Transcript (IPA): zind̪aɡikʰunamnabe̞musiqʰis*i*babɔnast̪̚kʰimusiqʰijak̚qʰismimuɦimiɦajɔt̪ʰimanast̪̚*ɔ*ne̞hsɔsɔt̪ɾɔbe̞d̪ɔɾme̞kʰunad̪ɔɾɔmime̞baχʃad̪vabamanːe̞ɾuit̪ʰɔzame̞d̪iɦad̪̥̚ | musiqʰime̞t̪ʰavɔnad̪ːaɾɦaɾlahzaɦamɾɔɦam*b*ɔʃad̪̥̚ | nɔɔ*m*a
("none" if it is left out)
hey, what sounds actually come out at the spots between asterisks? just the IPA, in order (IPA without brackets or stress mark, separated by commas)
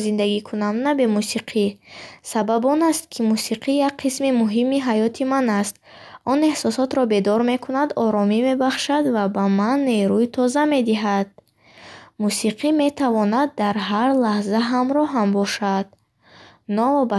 a, ɔ, b, b